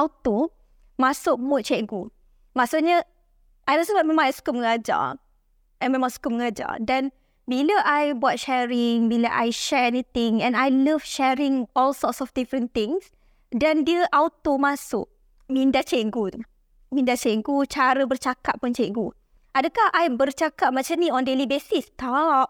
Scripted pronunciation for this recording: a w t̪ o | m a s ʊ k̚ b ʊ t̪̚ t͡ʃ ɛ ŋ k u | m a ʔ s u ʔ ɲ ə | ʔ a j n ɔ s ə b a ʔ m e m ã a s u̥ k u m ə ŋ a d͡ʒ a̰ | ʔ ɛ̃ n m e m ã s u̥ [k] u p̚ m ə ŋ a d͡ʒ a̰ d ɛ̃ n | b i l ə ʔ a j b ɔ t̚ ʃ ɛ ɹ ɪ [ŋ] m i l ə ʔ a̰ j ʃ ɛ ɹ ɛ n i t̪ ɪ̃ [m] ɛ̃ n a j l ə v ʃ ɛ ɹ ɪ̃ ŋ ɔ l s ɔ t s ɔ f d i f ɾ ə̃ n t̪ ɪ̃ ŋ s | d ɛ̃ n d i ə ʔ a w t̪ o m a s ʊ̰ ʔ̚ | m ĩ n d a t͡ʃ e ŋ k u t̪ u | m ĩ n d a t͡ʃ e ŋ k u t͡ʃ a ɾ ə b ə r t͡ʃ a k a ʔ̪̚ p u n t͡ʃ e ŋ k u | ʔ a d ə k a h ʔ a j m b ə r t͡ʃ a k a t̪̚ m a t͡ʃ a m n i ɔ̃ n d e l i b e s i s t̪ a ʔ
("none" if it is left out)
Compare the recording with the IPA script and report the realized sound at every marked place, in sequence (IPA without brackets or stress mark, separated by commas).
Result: k, ŋ, ŋ